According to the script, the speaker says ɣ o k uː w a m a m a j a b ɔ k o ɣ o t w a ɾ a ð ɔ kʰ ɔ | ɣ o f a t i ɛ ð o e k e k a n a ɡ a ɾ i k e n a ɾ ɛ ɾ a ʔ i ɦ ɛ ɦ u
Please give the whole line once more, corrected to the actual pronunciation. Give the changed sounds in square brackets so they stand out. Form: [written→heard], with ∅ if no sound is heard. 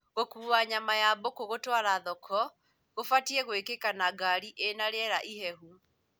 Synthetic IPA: ɣ o k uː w a [m→ɲ] a m a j a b [ɔ→o] k o ɣ o t w a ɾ a ð ɔ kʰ ɔ | ɣ o f a t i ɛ [ð→ɣ] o e k e k a n a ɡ a ɾ i [k→ʔ] e n a ɾ ɛ ɾ a ʔ i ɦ ɛ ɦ u